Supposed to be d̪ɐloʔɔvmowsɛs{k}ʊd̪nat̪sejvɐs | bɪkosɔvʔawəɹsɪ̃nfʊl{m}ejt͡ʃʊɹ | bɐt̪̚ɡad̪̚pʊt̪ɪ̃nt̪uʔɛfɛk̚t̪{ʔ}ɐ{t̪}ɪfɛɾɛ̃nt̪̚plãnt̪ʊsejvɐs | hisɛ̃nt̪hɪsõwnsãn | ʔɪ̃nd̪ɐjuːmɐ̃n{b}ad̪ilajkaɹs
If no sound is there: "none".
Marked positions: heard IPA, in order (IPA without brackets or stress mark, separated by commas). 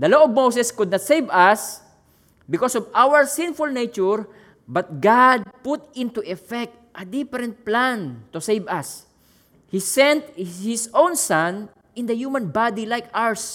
k, n, ʔ, d̪, b